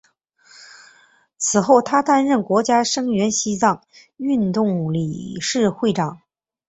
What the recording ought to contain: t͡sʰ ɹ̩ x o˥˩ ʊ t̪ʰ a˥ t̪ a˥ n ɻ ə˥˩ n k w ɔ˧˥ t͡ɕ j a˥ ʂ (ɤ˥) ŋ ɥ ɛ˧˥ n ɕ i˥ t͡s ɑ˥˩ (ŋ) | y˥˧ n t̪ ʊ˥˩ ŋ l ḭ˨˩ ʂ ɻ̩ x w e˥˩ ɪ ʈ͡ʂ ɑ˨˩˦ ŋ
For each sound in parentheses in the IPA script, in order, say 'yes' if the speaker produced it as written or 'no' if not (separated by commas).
yes, yes